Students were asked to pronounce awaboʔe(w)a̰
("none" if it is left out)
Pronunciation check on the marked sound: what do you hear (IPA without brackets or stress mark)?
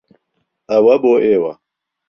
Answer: w